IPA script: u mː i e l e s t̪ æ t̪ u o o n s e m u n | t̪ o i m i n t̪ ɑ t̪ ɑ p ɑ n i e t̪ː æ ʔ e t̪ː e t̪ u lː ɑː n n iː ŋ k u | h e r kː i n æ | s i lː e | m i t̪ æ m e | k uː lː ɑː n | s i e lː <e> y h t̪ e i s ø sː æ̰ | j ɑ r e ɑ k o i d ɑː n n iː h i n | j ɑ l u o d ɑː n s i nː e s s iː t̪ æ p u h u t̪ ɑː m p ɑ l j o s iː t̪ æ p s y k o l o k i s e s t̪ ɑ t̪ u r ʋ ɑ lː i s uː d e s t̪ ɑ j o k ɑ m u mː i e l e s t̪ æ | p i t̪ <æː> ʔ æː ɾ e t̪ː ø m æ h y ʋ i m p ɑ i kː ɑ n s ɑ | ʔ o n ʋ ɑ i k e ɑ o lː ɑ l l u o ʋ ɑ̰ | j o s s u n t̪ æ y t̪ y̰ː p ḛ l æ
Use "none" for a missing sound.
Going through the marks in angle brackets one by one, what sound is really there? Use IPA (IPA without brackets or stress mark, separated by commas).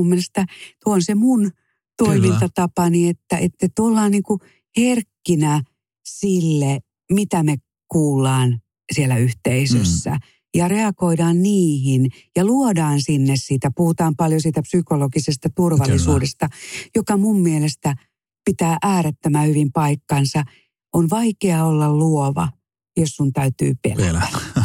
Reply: æ, æː